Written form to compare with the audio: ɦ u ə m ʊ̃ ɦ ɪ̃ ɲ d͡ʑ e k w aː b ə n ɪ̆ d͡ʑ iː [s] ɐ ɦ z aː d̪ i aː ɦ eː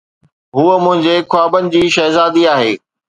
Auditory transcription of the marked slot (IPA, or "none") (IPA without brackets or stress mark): ʃ